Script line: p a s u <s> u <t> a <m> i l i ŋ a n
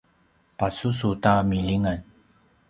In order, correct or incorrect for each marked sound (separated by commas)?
correct, correct, correct